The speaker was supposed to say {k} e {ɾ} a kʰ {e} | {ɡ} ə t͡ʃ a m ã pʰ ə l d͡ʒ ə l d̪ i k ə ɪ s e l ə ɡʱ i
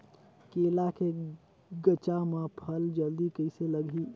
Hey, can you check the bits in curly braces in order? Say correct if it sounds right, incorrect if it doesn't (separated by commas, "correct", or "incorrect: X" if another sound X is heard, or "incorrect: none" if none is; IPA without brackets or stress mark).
correct, incorrect: l, correct, correct